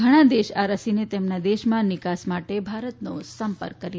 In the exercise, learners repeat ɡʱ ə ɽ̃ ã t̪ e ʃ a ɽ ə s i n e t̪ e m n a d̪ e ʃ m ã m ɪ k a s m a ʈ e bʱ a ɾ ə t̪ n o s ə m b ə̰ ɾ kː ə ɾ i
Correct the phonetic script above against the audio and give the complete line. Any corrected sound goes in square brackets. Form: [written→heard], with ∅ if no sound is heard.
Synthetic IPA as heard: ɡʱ ə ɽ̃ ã [t̪→d̪] e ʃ a [ɽ→ɾ] ə s i n e t̪ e m n a d̪ e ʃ m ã [m→n] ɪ k a s m a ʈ e bʱ a ɾ ə t̪ n o s ə m [b→p] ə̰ ɾ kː ə ɾ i